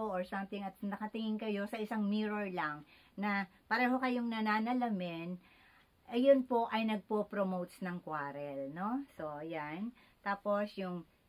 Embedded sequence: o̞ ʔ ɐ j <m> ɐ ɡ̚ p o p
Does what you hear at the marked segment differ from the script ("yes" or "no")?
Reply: yes